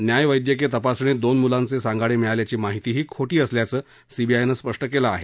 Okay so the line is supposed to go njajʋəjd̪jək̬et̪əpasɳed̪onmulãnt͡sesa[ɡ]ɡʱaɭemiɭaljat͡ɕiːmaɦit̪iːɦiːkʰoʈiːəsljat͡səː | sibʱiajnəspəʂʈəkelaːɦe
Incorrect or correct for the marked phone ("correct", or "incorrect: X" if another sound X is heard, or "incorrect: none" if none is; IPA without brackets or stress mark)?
incorrect: ŋ